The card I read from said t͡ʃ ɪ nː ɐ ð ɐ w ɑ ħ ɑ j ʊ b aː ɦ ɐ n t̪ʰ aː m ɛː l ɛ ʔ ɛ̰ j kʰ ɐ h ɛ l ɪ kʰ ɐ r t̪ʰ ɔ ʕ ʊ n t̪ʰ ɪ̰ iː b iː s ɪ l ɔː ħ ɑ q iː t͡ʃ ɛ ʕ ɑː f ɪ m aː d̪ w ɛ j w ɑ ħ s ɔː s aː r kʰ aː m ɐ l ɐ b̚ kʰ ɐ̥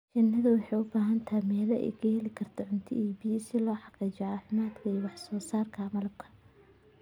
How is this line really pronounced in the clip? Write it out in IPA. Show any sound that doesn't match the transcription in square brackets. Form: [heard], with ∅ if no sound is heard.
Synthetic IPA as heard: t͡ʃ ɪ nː ɐ ð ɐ w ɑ ħ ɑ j ʊ b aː ɦ ɐ n t̪ʰ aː m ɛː l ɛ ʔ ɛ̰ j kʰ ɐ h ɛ l ɪ kʰ ɐ r t̪ʰ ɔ ʕ ʊ n t̪ʰ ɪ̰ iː b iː s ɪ l ɔː ħ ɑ q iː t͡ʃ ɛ ʕ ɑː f ɪ m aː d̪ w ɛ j w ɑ ħ s ɔː s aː r kʰ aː m ɐ l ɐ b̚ kʰ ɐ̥